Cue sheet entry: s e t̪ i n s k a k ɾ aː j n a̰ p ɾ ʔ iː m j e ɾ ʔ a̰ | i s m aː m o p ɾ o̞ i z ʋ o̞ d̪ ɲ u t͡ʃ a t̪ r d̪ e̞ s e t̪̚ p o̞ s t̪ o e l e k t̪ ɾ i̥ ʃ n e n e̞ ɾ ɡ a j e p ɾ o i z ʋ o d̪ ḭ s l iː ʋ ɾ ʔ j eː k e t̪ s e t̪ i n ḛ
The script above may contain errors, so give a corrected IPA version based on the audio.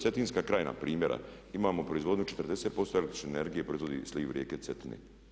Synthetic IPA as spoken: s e t̪ i n s k a k ɾ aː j n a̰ p ɾ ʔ iː m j e ɾ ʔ a̰ | i m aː m o p ɾ o̞ i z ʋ o̞ d̪ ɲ u t͡ʃ e t̪ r d̪ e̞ s e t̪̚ p o̞ s t̪ o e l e k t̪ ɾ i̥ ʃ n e n e̞ ɾ ɡ i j e p ɾ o i z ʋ o d̪ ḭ s l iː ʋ ɾ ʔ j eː k e t̪ s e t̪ i n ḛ